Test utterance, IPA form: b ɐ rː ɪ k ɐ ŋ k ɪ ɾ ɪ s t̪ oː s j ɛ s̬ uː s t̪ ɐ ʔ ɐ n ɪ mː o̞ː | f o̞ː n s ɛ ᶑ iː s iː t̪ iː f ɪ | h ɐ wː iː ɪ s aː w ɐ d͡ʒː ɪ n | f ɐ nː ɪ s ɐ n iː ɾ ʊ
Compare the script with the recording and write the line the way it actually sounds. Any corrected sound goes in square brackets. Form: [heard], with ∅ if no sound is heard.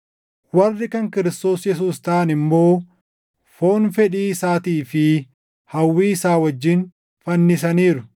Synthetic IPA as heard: [w] ɐ rː ɪ k ɐ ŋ k ɪ ɾ ɪ s t̪ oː s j ɛ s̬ uː s t̪ ɐ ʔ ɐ n ɪ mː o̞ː | f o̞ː n [f] ɛ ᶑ iː s [aː] t̪ iː f ɪ | h ɐ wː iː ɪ s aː w ɐ d͡ʒː ɪ n | f ɐ nː ɪ s ɐ n iː ɾ ʊ